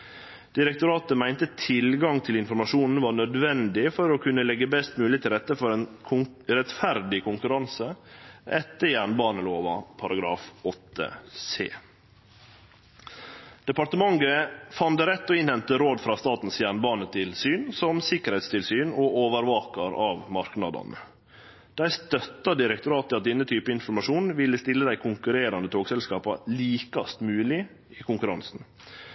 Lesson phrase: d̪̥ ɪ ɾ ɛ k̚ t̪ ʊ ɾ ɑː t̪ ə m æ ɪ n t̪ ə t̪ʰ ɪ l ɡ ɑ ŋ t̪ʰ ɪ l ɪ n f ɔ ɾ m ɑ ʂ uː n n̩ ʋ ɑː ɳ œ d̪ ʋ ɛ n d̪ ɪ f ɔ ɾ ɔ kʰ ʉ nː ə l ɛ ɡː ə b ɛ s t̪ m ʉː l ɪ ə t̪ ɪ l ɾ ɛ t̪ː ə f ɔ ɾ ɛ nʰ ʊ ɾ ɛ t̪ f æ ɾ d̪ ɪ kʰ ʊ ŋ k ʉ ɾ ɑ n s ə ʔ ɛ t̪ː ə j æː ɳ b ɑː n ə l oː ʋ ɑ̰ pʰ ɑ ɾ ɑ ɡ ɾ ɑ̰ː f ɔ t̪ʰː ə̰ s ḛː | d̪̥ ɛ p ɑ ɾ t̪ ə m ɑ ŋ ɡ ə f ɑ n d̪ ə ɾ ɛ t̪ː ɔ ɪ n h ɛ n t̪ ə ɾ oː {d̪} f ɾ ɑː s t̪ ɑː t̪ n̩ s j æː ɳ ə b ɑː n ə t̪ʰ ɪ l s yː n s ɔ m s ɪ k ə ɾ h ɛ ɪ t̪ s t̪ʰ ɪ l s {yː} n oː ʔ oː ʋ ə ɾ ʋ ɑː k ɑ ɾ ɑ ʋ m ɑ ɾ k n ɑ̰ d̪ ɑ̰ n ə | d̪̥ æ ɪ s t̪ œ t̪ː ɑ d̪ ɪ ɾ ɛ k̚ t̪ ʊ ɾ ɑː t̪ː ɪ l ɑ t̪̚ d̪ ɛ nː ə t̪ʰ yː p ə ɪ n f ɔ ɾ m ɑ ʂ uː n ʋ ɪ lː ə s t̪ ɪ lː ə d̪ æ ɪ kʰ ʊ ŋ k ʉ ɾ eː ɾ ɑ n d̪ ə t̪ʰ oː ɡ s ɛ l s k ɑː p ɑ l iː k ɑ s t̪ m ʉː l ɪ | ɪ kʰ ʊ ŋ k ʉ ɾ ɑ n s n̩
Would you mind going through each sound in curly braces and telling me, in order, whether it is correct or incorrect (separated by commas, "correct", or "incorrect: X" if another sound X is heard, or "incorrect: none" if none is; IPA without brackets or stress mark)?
correct, correct